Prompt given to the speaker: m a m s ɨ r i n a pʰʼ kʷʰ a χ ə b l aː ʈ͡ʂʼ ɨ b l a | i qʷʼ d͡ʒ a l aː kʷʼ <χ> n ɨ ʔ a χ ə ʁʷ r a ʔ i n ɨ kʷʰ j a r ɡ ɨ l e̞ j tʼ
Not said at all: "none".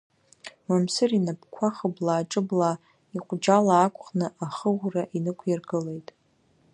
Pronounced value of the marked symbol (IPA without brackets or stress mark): χ